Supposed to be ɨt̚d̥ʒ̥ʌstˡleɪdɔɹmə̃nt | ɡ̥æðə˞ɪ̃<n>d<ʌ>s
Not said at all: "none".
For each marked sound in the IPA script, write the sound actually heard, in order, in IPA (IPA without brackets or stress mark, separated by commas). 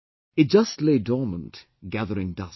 ŋ, ʌ